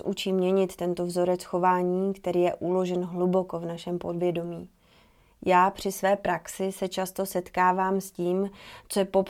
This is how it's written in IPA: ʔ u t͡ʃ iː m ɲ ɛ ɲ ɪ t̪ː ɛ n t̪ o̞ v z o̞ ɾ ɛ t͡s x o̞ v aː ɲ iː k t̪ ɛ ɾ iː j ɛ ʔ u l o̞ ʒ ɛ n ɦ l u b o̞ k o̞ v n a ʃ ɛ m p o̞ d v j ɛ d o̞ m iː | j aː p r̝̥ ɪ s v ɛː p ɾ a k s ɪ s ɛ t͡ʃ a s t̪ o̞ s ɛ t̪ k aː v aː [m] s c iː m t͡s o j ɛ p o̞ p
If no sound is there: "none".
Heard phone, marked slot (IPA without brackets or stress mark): m